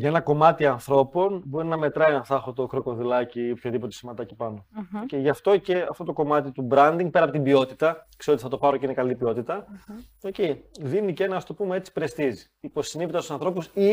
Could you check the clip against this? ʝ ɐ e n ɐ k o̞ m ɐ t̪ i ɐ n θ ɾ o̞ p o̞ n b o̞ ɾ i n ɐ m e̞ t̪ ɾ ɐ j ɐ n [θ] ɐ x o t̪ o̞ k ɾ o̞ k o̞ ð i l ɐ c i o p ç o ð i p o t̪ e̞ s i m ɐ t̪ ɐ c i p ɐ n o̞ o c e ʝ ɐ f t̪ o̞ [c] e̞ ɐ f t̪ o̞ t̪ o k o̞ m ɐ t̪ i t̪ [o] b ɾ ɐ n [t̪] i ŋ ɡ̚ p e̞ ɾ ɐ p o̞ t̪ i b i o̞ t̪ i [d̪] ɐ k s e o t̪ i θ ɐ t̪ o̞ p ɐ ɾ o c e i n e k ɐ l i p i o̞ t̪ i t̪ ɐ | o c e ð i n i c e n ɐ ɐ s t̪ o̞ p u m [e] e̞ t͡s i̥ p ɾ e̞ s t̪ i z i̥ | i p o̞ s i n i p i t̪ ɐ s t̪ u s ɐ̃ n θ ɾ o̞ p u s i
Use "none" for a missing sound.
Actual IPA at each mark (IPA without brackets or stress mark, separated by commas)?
θ, c, u, d̪, t̪, e